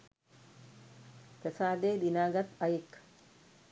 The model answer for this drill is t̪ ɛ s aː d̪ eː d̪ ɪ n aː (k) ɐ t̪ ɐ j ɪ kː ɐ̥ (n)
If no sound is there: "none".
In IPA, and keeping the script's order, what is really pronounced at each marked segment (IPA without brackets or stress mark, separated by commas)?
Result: ɡ, none